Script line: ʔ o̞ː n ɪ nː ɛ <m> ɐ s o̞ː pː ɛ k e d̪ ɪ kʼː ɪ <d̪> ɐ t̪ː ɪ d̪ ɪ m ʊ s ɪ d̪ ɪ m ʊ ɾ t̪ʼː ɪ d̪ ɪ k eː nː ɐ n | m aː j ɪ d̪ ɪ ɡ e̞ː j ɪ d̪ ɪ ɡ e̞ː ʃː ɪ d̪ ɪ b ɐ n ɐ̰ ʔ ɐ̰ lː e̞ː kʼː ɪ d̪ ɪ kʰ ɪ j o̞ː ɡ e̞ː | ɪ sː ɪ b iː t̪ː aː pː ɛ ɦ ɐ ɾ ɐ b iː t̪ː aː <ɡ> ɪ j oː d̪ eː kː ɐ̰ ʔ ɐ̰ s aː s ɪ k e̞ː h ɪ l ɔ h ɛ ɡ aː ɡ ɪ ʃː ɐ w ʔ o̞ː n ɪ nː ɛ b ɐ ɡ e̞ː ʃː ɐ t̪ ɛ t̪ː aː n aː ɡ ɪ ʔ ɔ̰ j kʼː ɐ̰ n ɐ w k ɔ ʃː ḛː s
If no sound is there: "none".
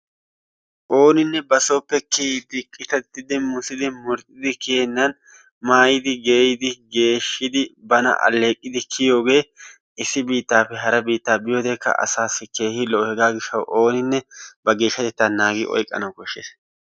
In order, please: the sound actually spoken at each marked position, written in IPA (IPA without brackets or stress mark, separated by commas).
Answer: b, t̪, b